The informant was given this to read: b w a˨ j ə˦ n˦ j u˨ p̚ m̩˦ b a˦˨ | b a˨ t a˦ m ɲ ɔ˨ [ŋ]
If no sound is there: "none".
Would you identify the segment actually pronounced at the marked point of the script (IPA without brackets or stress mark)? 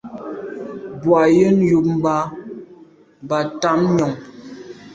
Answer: ŋ